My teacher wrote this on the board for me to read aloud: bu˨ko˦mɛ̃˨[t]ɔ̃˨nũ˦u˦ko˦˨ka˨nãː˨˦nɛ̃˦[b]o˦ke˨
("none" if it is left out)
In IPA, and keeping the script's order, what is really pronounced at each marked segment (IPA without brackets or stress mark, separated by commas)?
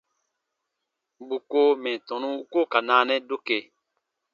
t, d